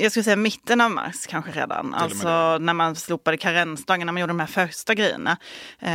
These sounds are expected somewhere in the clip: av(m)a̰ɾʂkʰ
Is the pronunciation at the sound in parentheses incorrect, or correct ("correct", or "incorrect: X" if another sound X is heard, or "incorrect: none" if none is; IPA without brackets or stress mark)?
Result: correct